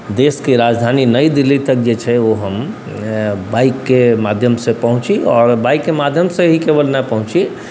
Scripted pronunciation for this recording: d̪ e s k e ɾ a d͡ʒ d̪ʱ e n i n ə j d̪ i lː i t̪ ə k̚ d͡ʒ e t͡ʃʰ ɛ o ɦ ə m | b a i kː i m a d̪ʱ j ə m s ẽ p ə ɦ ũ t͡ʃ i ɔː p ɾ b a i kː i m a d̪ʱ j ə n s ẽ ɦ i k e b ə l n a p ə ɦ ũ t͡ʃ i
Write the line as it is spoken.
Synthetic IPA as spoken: d̪ e s k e ɾ a d͡ʒ d̪ʱ a n i n ə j d̪ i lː i t̪ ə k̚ d͡ʒ e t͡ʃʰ ɛ o ɦ ə m | b a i kː e m a d̪ʱ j ə m s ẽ p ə ɦ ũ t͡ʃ i ɔː ɾ b a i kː e m a d̪ʱ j ə m s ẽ ɦ i k e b ə l n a p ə ɦ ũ t͡ʃ i